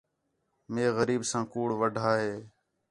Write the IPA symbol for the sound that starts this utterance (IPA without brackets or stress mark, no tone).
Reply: m